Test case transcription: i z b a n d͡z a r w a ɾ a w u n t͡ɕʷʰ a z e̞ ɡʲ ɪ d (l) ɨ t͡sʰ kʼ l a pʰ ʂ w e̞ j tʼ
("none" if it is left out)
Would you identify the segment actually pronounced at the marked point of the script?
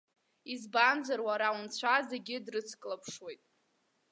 r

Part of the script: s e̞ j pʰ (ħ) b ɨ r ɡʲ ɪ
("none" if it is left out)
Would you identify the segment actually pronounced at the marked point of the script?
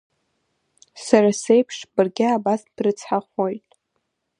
ʂ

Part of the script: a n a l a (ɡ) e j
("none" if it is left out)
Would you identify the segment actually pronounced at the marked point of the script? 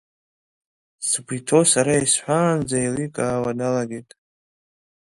ɡ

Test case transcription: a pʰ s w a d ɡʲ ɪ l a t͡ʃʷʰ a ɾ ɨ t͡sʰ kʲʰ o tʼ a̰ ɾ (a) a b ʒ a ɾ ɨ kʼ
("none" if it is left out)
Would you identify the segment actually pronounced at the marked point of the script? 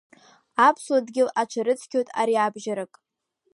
i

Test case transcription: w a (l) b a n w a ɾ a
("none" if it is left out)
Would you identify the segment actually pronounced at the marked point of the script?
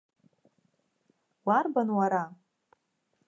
r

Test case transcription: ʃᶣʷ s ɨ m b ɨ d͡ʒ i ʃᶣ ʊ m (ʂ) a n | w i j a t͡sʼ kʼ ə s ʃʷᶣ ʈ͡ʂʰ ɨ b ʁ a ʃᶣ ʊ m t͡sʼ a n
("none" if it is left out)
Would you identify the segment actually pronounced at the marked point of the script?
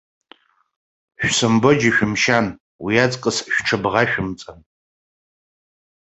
ʃ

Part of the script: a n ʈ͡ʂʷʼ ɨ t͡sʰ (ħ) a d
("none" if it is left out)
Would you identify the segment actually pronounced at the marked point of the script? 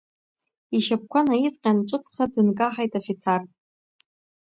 χ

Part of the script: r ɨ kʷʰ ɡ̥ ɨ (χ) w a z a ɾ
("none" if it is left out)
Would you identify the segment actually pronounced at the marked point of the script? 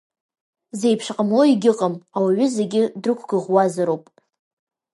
ʁ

